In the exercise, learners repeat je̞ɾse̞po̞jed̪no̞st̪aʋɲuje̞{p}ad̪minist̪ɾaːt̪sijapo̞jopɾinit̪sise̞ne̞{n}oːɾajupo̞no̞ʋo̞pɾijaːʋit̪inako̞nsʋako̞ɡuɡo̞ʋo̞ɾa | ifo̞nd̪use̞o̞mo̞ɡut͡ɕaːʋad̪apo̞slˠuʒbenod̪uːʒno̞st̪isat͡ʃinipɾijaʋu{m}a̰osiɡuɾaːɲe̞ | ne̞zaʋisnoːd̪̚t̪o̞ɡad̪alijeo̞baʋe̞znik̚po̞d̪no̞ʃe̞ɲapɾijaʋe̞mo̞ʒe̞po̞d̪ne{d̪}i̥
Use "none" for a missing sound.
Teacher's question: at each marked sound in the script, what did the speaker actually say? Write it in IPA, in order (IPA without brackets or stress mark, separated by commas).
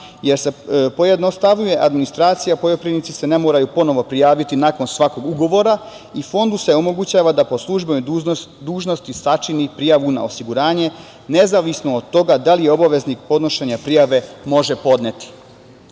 ʔ, m, n, t̪